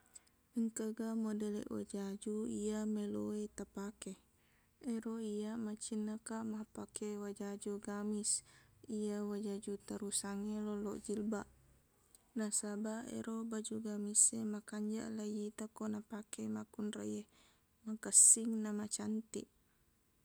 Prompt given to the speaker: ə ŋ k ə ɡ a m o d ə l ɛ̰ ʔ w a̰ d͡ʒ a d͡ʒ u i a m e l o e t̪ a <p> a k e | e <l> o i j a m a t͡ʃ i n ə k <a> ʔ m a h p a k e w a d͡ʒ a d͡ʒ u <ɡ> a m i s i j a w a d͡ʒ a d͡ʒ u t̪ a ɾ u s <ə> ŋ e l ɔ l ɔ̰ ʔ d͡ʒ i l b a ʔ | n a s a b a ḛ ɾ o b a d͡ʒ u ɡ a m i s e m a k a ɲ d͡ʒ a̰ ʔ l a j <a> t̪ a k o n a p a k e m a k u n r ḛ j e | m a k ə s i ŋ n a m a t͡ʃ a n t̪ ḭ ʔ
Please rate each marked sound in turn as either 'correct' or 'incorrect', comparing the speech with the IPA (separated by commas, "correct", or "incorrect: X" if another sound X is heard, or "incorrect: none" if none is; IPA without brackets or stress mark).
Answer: correct, incorrect: ɾ, correct, correct, incorrect: a, incorrect: i